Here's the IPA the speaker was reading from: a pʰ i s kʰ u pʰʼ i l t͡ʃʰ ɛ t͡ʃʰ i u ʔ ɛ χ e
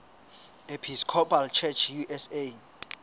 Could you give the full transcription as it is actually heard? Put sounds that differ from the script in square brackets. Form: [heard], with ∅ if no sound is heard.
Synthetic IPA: [e] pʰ i s kʰ [ɔ] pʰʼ [a] l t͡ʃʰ ɛ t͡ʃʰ [j] u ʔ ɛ [s] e